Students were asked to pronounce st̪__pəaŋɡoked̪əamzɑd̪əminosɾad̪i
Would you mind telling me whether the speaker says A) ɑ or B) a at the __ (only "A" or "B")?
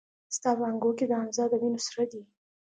A